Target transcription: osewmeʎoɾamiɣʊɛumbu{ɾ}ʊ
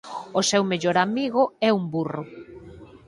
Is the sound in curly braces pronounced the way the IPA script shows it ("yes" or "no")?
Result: no